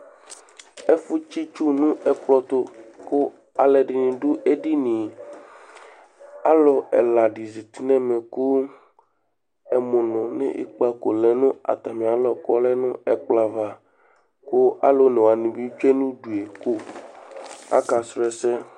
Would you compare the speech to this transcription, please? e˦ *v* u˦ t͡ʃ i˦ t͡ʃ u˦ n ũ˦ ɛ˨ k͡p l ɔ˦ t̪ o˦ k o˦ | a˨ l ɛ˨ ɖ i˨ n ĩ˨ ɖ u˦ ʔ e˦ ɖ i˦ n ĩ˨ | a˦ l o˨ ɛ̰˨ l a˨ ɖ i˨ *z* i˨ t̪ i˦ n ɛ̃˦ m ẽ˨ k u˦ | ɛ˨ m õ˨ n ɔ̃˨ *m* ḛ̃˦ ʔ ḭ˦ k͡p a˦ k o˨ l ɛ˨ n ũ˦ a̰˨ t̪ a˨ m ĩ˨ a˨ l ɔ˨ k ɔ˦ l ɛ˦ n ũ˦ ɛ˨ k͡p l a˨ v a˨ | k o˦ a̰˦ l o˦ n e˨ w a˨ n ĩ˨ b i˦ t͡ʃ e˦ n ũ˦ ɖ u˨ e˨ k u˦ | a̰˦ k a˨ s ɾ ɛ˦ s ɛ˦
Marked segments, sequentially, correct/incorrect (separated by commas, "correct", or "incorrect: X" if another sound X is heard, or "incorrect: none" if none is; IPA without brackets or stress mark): incorrect: f, correct, incorrect: n